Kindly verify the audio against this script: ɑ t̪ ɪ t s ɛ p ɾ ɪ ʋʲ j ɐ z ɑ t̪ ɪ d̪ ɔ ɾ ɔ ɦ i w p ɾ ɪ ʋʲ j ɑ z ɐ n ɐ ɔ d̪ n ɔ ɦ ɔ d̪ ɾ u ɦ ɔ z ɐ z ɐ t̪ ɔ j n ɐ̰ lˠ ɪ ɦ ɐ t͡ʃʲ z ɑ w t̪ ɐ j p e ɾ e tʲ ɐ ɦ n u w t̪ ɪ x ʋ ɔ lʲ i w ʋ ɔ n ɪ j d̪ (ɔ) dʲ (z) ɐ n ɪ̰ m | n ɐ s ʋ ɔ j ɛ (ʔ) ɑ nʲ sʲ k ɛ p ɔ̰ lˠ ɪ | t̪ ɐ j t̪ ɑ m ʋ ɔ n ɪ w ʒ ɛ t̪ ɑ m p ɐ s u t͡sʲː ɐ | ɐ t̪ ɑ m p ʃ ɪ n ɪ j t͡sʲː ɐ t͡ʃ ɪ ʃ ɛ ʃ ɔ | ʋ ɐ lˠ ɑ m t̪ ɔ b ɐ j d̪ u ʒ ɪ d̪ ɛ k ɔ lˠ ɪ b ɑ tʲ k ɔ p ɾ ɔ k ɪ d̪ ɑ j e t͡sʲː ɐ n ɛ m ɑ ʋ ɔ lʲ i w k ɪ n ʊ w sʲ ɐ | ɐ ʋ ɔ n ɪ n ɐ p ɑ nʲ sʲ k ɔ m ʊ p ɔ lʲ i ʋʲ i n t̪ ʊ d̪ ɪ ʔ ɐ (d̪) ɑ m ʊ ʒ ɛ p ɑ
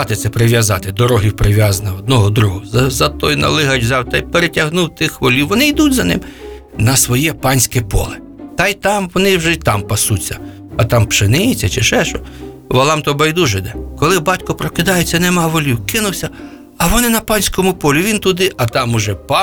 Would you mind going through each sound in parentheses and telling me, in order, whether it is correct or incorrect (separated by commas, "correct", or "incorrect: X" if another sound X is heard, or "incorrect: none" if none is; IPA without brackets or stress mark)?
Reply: incorrect: u, correct, incorrect: p, incorrect: t̪